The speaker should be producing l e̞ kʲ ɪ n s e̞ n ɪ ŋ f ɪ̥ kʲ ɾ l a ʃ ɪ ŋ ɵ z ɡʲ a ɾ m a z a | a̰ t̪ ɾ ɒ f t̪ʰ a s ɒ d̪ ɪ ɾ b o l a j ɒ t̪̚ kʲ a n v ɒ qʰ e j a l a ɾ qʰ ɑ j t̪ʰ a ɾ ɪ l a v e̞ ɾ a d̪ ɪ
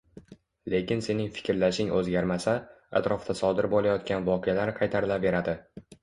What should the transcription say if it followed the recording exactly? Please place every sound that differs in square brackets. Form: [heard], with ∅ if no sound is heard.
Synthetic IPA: l e̞ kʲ ɪ n s e̞ n ɪ ŋ f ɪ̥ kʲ ɾ l a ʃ ɪ ŋ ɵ z ɡʲ a ɾ m a [s] a | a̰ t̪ ɾ ɒ f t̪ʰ a s ɒ d̪ ɪ ɾ b o l a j ɒ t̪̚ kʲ a n v ɒ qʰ e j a l a ɾ qʰ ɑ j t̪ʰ a ɾ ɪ l a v e̞ ɾ a d̪ ɪ